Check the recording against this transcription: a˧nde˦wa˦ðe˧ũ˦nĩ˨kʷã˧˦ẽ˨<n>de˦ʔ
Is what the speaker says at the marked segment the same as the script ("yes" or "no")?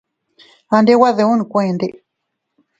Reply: yes